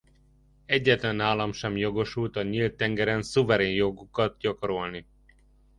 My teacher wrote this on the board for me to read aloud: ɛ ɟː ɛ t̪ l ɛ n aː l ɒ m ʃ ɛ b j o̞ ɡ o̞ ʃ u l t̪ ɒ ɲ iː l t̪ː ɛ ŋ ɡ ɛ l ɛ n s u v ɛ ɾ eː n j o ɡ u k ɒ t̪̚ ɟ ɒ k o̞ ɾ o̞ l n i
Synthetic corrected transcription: ɛ ɟː ɛ t̪ l ɛ n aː l ɒ m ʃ ɛ m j o̞ ɡ o̞ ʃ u l t̪ ɒ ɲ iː l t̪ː ɛ ŋ ɡ ɛ ɾ ɛ n s u v ɛ ɾ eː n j o ɡ u k ɒ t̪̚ ɟ ɒ k o̞ ɾ o̞ l n i